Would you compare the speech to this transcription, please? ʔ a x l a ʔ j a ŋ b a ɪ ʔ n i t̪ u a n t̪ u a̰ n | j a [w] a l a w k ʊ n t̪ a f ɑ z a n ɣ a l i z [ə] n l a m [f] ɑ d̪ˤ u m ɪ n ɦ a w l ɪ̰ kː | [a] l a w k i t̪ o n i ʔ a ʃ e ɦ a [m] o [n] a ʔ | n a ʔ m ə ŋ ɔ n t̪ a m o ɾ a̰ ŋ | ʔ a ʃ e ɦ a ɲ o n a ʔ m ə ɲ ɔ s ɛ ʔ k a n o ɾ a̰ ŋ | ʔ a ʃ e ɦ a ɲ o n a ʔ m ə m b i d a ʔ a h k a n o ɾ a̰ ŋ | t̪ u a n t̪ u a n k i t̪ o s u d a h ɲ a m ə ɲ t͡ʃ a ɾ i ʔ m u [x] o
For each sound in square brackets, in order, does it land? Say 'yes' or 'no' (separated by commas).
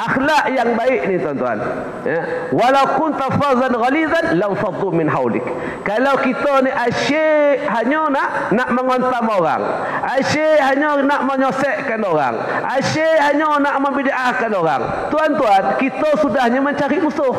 yes, no, yes, yes, no, yes, no